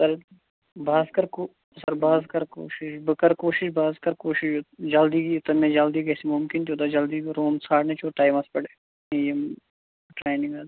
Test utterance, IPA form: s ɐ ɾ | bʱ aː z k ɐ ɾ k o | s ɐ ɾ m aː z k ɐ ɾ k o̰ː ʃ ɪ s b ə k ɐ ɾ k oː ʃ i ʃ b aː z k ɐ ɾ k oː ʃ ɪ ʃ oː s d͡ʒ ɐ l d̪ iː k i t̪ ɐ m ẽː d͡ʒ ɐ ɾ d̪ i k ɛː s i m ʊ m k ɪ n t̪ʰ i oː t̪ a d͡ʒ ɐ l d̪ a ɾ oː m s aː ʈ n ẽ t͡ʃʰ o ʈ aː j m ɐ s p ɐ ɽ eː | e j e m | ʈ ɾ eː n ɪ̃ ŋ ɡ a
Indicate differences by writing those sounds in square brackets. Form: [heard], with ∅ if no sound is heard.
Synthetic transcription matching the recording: s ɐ ɾ | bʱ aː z k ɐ ɾ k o | s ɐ ɾ [b] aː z k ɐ ɾ k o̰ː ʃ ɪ [ʃ] b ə k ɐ ɾ k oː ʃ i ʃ b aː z k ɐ ɾ k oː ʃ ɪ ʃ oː [∅] d͡ʒ ɐ l d̪ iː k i t̪ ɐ m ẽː d͡ʒ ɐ [l] d̪ i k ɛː s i m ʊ m k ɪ n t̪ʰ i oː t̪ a d͡ʒ ɐ l d̪ [i] ɾ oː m s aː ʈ n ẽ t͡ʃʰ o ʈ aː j m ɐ s p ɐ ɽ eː | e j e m | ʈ ɾ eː n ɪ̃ ŋ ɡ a